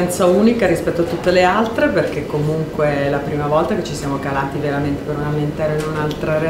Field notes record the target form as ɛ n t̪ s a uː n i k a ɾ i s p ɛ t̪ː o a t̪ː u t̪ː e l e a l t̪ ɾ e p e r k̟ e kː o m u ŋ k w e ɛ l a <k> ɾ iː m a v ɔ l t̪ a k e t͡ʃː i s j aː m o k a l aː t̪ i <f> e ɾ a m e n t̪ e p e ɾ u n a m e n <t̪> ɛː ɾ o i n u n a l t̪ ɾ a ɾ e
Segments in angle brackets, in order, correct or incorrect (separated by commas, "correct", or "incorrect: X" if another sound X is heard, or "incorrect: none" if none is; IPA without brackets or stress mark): incorrect: p, incorrect: v, correct